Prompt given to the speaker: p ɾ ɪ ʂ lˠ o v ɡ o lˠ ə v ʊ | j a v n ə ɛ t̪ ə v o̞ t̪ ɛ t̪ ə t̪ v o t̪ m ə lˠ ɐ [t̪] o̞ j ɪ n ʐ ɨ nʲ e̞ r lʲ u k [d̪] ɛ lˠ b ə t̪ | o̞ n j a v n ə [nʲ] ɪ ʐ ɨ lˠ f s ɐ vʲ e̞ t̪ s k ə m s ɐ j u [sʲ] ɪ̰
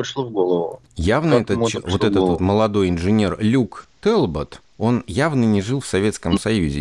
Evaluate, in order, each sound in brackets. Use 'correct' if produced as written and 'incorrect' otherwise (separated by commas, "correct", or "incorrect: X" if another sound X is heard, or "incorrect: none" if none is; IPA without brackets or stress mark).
incorrect: d̪, incorrect: t̪, correct, incorrect: zʲ